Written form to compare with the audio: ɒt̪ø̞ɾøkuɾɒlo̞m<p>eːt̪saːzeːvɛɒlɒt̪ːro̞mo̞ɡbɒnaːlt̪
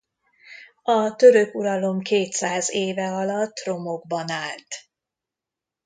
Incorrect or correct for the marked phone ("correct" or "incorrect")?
incorrect